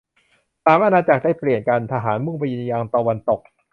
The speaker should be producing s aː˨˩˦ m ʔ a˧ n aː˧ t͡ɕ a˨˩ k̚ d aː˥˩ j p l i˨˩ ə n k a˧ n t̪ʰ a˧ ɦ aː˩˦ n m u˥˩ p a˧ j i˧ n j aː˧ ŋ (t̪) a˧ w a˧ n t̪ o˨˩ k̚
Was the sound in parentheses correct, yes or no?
yes